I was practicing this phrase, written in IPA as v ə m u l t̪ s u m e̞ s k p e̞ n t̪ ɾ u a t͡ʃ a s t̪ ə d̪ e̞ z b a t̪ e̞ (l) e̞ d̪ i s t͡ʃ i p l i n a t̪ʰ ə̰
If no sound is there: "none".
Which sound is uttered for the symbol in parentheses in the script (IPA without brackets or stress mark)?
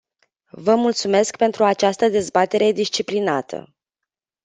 ɾ